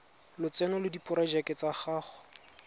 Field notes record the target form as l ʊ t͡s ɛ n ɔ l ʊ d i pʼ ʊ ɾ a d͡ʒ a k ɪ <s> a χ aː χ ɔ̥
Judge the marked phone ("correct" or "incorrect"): incorrect